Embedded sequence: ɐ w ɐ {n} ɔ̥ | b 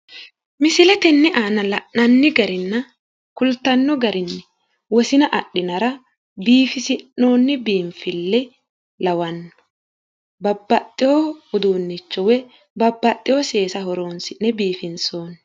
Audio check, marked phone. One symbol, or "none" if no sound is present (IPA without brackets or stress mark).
nː